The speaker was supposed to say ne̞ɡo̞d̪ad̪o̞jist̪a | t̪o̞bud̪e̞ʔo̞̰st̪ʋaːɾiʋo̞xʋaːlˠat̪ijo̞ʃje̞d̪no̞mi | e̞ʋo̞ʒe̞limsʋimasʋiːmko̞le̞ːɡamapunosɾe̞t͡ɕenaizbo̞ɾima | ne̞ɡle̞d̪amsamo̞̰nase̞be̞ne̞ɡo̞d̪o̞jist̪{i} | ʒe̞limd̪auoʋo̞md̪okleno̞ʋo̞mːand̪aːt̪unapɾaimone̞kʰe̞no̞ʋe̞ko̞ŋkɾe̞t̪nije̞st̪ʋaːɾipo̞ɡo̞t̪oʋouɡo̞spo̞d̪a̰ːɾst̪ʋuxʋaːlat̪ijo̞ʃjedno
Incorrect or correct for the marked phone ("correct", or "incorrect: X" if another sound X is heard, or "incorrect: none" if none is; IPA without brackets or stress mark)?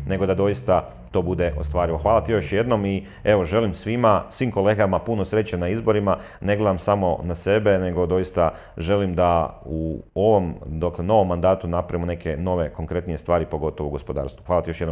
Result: incorrect: a